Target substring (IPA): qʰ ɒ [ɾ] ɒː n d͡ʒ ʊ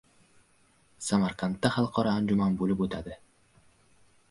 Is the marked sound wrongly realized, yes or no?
no